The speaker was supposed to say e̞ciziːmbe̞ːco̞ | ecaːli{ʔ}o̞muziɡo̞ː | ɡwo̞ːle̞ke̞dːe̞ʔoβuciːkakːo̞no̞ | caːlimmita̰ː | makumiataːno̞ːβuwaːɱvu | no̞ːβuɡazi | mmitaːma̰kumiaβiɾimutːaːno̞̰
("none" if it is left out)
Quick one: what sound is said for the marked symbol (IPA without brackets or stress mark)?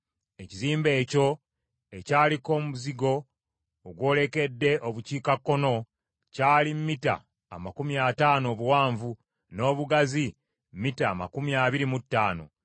k